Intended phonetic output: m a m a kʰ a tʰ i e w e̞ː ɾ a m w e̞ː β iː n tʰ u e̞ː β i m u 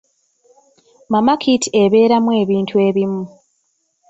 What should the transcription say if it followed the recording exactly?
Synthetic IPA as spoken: m a m a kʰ i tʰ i e β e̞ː ɾ a m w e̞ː β iː n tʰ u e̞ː β i m u